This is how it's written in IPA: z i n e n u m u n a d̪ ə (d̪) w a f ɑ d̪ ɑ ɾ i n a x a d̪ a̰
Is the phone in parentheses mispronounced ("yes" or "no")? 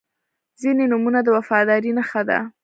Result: yes